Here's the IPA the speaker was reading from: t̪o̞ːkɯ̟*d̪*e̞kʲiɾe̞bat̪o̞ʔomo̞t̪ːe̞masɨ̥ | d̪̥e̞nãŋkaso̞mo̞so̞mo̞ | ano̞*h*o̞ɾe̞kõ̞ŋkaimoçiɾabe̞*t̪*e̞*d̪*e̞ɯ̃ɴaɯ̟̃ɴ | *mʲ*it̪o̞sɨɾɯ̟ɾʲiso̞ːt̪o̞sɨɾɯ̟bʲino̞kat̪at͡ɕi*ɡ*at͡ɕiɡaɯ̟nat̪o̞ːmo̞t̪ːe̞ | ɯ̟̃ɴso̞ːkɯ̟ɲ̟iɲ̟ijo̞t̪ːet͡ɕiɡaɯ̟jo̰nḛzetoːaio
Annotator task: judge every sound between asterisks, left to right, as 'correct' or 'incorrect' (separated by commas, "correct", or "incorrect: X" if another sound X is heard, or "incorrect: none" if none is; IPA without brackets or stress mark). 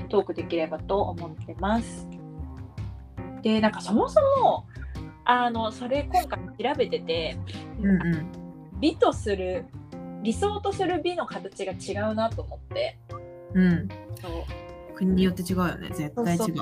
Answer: correct, incorrect: s, correct, incorrect: t̪, incorrect: bʲ, correct